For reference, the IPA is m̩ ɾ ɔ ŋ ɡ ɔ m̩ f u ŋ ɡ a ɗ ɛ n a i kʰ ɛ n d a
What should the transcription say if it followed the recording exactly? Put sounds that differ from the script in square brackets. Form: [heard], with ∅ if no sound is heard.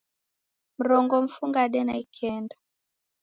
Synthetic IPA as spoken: m̩ ɾ ɔ ŋ ɡ ɔ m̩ f u ŋ ɡ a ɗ ɛ n a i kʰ ɛ n d a